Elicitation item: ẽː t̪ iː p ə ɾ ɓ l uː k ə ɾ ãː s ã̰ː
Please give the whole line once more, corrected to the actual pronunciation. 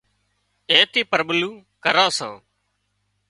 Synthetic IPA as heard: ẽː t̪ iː p ə ɾ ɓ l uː k ə ɾ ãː s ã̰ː